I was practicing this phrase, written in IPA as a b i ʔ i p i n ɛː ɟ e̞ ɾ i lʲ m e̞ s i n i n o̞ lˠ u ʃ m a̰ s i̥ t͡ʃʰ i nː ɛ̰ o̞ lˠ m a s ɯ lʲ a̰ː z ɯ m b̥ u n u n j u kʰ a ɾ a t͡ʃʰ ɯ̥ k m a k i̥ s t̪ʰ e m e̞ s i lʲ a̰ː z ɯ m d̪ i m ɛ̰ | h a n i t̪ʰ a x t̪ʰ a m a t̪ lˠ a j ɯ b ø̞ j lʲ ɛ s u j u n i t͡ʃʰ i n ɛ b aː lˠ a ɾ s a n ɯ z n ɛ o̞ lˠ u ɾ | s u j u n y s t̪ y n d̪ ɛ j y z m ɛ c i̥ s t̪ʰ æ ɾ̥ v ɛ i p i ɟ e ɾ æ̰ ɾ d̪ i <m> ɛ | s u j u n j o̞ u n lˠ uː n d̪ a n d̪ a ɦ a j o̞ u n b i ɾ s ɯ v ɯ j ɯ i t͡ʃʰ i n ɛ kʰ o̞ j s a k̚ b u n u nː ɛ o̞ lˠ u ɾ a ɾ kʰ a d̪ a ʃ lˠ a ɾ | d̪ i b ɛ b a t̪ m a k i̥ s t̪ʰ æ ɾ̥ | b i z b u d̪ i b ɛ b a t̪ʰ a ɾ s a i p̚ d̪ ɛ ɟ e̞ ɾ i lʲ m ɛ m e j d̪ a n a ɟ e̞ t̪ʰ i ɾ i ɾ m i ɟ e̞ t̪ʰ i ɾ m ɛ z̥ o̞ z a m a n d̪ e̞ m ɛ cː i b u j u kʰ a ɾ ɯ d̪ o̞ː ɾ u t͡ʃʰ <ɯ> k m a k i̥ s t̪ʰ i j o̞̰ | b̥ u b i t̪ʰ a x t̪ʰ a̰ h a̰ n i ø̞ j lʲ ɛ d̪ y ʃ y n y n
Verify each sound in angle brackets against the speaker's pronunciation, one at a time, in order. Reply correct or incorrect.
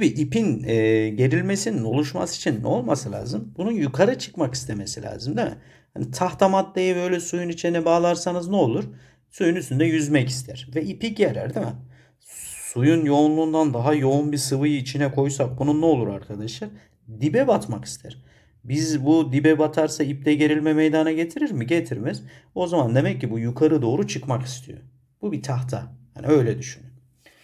correct, correct

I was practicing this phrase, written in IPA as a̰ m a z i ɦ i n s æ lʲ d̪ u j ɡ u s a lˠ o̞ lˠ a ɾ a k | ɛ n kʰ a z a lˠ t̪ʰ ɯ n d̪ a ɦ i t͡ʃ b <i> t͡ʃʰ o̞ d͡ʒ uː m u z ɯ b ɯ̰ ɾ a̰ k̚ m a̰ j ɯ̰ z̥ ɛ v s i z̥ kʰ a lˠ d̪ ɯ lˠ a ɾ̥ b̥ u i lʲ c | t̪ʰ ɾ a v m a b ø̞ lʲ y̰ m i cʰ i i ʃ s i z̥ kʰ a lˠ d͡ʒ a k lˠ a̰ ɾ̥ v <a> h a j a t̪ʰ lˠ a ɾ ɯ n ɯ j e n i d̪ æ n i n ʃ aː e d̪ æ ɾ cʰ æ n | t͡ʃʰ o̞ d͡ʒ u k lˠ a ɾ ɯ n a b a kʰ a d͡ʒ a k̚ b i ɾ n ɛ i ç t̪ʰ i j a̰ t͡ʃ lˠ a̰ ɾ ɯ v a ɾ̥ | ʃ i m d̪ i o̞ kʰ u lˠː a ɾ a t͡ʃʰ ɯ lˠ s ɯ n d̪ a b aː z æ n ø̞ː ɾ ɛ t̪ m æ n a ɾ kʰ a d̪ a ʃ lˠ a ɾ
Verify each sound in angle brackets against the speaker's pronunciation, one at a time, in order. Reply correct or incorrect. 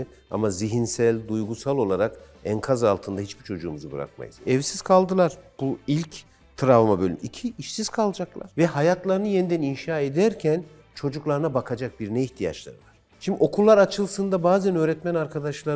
correct, incorrect

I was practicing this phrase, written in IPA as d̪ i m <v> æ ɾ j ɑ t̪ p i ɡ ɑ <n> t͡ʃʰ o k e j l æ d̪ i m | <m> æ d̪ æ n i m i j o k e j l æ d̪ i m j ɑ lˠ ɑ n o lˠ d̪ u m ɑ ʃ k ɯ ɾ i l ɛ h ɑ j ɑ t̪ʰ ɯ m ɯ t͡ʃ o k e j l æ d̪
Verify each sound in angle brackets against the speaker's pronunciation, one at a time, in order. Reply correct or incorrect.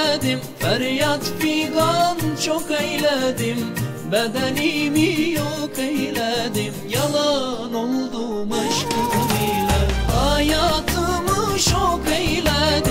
incorrect, correct, incorrect

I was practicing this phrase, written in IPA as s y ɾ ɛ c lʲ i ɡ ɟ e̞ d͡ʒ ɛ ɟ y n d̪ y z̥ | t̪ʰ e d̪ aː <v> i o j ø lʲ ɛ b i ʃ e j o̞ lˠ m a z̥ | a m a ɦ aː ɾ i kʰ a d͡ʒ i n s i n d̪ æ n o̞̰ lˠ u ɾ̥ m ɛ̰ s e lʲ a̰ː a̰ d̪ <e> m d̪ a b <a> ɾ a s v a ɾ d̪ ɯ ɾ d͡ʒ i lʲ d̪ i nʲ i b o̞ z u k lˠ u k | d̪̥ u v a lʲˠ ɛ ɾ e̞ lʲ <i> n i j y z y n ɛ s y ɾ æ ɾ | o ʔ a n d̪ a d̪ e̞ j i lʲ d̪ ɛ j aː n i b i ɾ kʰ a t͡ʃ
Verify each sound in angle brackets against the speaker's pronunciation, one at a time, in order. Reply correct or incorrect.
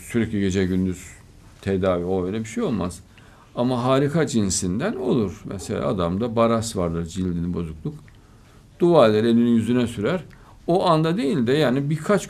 correct, incorrect, correct, correct

